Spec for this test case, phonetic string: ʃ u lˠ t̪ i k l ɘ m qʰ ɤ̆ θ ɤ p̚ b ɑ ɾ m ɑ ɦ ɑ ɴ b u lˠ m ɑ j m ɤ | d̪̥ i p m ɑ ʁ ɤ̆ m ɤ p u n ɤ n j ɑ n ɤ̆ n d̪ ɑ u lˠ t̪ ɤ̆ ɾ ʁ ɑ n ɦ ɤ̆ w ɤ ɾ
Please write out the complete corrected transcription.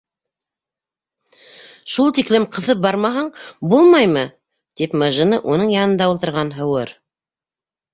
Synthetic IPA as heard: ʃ u lˠ t̪ i k l ɘ m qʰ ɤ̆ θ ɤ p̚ b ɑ ɾ m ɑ ɦ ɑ ɴ b u lˠ m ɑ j m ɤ | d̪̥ i p m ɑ ʒ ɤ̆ n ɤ ʔ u n ɤ ɴ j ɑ n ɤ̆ n d̪ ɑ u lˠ t̪ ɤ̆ ɾ ʁ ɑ n ɦ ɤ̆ w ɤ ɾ